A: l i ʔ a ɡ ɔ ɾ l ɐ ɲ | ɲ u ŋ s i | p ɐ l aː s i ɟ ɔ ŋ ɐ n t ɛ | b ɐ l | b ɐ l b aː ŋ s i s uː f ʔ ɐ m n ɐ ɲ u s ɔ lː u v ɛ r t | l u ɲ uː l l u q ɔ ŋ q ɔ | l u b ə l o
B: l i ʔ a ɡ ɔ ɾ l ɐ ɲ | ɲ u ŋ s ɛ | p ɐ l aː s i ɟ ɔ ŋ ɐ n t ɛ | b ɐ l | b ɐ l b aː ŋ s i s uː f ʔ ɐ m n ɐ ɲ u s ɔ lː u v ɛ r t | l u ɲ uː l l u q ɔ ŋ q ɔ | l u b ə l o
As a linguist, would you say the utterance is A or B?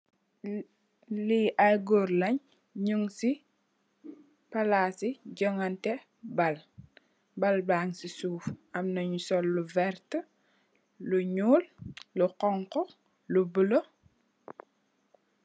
A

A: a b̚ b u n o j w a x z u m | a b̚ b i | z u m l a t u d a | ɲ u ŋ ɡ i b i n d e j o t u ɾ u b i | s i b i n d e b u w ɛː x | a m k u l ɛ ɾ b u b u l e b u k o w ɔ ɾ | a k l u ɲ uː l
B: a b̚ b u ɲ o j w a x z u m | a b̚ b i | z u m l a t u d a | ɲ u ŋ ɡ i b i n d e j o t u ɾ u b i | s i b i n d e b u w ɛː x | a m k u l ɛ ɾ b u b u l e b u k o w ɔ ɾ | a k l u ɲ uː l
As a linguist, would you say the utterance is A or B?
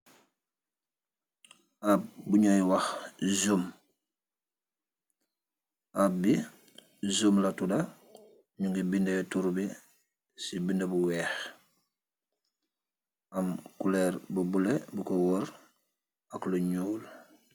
B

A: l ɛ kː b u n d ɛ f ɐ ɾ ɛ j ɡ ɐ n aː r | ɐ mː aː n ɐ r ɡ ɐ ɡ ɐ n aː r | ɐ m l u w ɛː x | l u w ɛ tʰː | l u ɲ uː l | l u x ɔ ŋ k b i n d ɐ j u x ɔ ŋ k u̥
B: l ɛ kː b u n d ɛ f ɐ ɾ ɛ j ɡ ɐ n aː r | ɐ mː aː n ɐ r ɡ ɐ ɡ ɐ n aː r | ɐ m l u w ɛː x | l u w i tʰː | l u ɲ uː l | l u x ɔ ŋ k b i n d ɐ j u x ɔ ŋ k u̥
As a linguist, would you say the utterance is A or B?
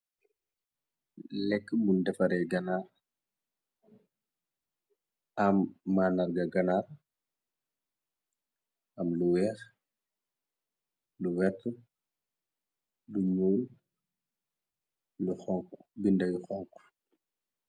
A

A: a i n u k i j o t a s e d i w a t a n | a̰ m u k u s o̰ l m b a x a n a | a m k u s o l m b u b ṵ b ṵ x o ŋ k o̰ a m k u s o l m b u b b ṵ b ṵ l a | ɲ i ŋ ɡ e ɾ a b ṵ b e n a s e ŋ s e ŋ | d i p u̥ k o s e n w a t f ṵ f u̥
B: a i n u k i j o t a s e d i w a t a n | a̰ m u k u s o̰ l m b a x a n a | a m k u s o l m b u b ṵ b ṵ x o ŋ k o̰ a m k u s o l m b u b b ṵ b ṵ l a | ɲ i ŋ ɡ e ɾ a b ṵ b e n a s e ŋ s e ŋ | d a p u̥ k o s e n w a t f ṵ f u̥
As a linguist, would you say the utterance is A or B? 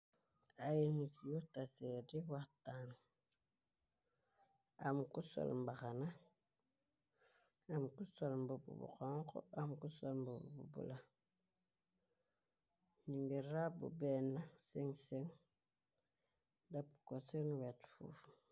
B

